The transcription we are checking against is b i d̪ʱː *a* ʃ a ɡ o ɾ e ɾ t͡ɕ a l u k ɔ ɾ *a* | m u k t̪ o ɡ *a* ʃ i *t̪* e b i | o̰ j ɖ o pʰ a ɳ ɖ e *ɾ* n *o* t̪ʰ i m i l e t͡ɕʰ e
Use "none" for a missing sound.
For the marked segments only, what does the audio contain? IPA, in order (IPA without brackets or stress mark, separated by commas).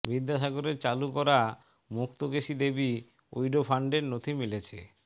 a, a, e, d̪, ɾ, o